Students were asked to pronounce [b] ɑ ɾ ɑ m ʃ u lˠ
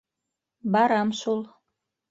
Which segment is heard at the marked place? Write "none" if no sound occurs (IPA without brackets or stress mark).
b